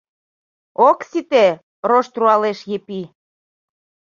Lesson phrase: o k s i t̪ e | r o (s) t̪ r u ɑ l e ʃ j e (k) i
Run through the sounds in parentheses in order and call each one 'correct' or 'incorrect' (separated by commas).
incorrect, incorrect